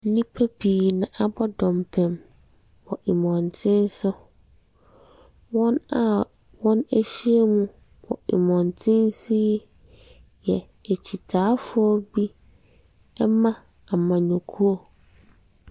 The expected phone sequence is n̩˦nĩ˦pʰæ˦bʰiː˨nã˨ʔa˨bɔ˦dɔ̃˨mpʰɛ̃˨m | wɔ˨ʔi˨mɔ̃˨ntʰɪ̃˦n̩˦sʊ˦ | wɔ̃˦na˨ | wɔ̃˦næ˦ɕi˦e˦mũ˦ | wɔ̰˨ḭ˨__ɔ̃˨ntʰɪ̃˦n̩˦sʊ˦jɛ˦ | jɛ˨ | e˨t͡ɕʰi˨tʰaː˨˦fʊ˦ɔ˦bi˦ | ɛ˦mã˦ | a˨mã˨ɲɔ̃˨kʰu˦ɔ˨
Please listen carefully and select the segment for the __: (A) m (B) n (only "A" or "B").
A